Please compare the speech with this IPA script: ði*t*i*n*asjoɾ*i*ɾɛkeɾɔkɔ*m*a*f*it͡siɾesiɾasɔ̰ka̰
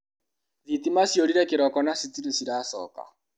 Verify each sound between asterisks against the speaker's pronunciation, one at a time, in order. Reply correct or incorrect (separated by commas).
correct, incorrect, correct, incorrect, incorrect